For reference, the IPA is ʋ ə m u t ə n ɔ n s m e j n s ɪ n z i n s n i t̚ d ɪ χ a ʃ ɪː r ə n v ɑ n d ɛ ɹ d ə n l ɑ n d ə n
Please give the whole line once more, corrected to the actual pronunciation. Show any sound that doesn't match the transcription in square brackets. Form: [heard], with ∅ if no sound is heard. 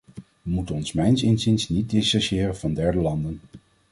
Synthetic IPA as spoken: ʋ ə m u t ə n ɔ n s m [ɛ] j n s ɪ n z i n s n i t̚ d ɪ [s] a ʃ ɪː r ə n v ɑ n d ɛ ɹ d ə [∅] l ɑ n d ə n